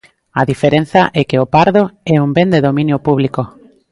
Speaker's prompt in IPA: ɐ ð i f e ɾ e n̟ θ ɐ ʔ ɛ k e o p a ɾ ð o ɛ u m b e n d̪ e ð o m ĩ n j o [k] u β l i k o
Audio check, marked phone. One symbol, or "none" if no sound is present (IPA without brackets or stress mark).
p